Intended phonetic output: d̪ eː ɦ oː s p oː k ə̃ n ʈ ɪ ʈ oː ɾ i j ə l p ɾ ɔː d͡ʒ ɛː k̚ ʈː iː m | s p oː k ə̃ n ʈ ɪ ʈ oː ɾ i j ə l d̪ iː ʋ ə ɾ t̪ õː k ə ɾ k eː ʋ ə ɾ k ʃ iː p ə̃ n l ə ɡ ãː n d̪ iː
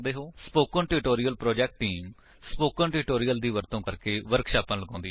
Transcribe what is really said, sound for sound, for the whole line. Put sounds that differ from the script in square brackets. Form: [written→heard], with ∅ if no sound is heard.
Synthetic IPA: d̪ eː ɦ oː s p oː k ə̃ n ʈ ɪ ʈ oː ɾ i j ə l p ɾ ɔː d͡ʒ ɛː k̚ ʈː iː m | s p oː k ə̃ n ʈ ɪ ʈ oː ɾ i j ə l d̪ iː ʋ ə ɾ t̪ õː k ə ɾ k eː ʋ ə ɾ k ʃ [iː→aː] p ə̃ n l ə ɡ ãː n d̪ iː